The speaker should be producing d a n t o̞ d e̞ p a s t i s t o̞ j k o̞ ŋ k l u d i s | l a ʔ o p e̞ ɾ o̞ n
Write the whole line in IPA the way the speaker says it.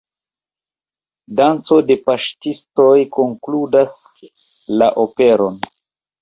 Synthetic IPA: d a n t͡s o̞ d e̞ p a ʃ t i s t o̞ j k o̞ ŋ k l u d a s | l a ʔ o p e̞ ɾ o̞ n